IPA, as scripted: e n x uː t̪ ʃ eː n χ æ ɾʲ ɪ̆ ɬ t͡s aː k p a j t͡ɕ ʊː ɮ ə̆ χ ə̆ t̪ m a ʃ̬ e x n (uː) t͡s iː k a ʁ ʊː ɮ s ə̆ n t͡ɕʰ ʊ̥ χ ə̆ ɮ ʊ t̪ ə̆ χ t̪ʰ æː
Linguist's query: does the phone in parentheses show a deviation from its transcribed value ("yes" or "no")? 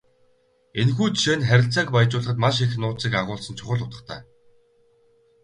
yes